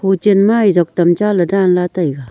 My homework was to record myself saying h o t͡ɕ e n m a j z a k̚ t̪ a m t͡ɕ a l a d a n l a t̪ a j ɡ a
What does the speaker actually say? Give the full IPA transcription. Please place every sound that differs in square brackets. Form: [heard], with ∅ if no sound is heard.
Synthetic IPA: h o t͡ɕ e n m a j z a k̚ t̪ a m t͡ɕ a l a d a n l a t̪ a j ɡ a